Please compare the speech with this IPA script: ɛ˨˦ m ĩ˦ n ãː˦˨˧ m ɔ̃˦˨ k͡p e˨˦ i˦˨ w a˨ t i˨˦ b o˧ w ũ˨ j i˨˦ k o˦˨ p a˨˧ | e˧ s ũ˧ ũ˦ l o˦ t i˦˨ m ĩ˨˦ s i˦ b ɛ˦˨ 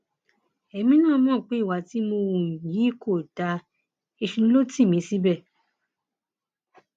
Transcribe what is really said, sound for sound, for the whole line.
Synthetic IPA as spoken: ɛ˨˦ m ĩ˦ n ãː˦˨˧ m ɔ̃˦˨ k͡p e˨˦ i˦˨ w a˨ t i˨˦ m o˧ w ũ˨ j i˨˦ k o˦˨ t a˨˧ | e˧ ʃ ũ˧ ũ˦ l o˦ t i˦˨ m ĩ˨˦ s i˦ b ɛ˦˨